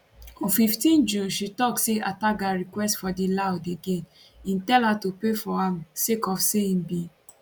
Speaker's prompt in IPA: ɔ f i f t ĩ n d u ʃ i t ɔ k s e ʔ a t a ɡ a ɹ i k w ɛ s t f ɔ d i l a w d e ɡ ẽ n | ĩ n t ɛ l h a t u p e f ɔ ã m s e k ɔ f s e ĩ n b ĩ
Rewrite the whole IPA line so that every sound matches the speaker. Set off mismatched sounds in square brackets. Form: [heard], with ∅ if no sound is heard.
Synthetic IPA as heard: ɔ f i f t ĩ n [d͡ʒ] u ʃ i t ɔ k s e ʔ a t a ɡ a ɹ i k w ɛ s t f ɔ d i l a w d e ɡ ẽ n | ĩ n t ɛ l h a t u p e f ɔ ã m s e k ɔ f s e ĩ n b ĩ